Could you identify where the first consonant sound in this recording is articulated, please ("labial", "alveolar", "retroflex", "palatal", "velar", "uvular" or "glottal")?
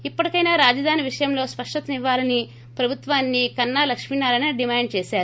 labial